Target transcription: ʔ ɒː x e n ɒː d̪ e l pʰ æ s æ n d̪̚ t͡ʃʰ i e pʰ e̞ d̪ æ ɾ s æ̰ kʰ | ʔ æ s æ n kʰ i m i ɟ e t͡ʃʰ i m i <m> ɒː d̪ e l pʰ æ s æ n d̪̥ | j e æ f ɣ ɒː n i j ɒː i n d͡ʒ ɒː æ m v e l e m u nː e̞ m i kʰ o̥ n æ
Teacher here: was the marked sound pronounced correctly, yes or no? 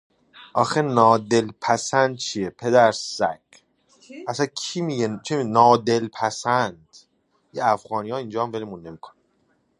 no